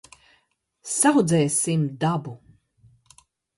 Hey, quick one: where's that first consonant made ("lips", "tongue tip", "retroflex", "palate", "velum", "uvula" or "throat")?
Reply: tongue tip